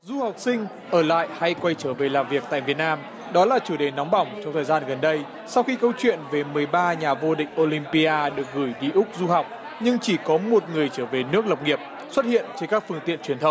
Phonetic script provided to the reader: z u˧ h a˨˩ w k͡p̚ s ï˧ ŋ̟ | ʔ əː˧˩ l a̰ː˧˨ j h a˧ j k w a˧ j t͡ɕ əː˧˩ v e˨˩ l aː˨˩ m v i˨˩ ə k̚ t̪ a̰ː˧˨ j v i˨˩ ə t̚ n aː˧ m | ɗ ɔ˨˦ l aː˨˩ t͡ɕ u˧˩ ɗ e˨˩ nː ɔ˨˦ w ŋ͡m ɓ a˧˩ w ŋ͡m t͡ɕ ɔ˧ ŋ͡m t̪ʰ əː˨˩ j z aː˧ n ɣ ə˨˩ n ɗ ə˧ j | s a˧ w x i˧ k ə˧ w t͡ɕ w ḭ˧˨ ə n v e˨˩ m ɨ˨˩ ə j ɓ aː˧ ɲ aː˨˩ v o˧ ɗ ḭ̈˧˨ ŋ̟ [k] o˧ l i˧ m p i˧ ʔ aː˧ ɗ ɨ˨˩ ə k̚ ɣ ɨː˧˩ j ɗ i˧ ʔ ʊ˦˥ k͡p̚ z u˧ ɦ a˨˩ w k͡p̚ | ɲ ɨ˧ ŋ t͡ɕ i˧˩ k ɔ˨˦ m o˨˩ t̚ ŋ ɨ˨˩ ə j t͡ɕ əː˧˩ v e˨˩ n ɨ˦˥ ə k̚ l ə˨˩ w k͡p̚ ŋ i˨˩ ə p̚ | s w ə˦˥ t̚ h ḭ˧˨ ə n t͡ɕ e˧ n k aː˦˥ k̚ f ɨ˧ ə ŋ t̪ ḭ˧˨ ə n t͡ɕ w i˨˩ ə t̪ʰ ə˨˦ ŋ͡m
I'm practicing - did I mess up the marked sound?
yes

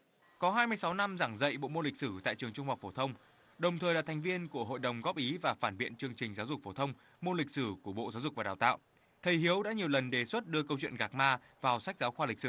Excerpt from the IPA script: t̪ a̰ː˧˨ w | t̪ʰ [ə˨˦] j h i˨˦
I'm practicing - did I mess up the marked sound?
yes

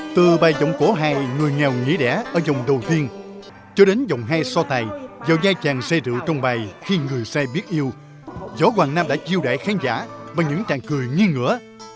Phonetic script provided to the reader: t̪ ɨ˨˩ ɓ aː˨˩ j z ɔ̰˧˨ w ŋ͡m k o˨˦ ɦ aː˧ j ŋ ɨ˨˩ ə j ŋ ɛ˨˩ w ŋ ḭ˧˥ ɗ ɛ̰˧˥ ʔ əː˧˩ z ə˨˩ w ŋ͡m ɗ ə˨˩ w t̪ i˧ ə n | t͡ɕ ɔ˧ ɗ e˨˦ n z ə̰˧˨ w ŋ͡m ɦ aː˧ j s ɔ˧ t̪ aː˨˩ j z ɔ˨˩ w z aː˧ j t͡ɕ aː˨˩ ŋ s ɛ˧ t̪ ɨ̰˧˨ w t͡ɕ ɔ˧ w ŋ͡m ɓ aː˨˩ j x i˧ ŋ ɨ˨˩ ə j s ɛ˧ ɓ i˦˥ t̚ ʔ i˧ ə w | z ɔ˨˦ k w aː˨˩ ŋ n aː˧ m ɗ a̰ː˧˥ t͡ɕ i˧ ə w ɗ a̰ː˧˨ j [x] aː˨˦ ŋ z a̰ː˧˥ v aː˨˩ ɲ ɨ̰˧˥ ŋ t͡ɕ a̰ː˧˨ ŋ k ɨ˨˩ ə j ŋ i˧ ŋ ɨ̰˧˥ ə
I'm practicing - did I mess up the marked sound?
no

